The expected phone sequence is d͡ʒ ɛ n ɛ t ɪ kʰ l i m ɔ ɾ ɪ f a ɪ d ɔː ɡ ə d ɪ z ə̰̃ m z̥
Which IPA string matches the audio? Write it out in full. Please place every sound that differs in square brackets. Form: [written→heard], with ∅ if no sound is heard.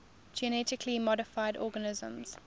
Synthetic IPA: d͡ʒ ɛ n ɛ t ɪ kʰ l i m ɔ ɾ ɪ f a ɪ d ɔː ɡ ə [d→n] ɪ z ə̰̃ m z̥